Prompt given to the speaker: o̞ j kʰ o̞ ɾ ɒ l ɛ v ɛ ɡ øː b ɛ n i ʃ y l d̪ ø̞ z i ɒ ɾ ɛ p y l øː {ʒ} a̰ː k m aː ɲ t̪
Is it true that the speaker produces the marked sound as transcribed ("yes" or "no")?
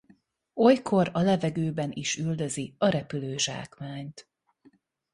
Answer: yes